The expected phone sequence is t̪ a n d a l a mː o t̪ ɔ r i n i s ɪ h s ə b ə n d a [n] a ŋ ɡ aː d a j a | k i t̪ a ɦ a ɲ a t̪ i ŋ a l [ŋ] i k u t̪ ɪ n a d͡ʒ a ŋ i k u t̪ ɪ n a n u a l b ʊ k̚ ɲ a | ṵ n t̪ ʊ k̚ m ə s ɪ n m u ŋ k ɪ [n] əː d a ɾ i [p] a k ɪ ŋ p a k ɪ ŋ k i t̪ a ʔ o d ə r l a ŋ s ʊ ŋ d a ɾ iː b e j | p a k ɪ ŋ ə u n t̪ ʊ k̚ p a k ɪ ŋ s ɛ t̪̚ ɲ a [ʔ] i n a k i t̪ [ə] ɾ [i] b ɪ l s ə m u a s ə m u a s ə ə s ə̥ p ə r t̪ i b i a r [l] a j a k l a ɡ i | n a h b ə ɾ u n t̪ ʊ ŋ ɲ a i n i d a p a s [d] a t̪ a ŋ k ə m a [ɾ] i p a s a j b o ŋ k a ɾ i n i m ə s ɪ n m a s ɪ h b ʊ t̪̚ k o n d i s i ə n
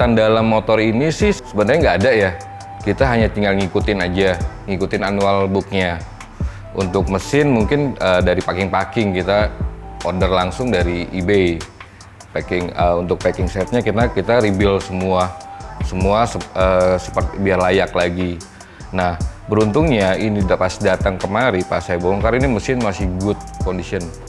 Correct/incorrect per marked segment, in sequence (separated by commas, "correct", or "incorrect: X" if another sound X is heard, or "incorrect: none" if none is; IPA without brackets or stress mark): incorrect: ɲ, correct, correct, correct, incorrect: k, incorrect: a, correct, correct, correct, correct